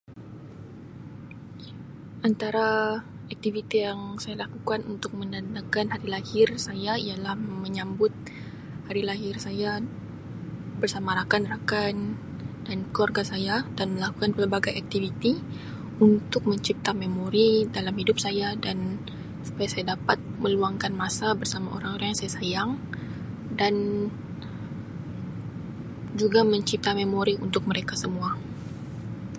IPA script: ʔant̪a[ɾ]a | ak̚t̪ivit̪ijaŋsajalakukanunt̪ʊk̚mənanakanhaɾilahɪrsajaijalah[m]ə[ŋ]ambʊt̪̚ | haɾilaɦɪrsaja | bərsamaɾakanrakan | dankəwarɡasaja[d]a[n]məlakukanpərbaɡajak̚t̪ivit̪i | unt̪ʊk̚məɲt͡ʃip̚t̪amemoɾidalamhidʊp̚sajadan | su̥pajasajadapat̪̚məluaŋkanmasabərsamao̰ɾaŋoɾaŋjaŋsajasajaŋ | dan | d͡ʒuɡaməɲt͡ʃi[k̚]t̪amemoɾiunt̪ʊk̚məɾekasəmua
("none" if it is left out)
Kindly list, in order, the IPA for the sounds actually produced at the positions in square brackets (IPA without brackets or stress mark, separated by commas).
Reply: ɾ, m, ɲ, d, n, p̚